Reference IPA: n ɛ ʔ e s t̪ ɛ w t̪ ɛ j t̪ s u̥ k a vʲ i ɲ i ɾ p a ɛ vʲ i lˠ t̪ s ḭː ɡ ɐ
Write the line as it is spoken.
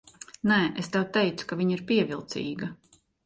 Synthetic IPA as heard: n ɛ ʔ e s t̪ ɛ w t̪ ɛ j t̪ s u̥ k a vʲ i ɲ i ɾ p i ɛ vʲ i lˠ t̪ s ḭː ɡ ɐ

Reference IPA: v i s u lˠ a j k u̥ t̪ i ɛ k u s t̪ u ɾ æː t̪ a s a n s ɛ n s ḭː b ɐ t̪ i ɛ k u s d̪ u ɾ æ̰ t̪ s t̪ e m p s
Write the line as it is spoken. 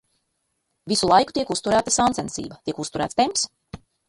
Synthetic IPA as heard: v i s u lˠ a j k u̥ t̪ i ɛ k u s t̪ u ɾ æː t̪ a s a n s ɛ n s ḭː b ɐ t̪ i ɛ k u s t̪ u ɾ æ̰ t̪ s t̪ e m p s

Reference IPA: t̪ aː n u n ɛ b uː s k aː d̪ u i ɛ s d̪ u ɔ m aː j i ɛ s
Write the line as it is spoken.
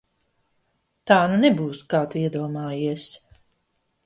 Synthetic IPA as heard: t̪ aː n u n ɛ b uː s k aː t̪ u i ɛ d̪ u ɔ m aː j i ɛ s

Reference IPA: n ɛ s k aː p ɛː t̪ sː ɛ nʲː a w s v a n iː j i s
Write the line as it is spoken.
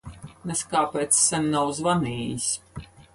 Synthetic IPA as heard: n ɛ s k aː p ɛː t̪ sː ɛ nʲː a w z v a n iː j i s

